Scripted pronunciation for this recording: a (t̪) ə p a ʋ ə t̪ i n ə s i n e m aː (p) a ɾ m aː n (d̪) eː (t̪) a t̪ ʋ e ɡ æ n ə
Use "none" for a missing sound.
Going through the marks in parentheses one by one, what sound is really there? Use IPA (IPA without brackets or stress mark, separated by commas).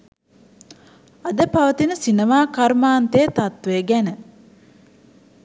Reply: d̪, k, t̪, t̪